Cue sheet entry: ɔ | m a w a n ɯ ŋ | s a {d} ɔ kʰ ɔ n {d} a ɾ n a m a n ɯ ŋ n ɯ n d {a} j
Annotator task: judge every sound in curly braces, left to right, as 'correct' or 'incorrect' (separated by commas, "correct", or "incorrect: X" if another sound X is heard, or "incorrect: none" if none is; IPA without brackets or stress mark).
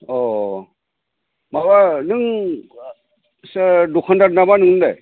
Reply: correct, correct, correct